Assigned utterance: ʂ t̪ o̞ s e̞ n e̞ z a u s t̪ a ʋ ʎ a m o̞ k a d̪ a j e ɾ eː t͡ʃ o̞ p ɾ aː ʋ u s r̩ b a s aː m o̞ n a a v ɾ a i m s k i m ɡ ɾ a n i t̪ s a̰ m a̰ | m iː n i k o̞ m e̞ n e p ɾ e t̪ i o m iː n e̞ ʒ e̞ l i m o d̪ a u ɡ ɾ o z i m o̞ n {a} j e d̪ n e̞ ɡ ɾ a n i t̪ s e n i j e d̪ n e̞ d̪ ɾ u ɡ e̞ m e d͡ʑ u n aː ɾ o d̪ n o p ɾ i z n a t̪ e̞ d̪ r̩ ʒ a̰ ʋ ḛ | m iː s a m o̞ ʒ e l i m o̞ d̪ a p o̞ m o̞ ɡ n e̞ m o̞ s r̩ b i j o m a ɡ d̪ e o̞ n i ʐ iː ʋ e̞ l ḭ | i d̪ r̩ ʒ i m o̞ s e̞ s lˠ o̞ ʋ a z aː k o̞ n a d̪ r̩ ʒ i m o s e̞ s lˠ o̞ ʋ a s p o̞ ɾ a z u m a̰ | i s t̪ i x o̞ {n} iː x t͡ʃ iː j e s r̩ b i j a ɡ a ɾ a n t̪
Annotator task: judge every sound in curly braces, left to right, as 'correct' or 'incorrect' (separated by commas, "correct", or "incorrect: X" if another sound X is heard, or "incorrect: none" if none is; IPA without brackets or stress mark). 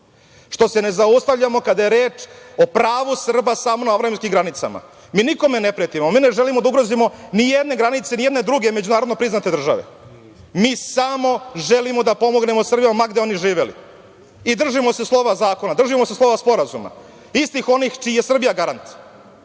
incorrect: i, correct